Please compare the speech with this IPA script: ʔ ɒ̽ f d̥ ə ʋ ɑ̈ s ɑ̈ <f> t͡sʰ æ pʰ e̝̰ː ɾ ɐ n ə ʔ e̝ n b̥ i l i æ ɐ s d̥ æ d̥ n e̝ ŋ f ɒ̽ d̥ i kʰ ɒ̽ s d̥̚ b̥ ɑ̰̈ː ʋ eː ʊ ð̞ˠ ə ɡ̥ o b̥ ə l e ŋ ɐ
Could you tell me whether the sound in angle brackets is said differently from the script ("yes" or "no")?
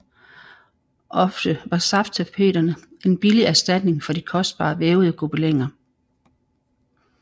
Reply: no